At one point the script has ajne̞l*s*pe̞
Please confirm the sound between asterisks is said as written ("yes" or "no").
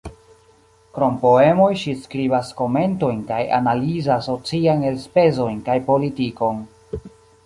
yes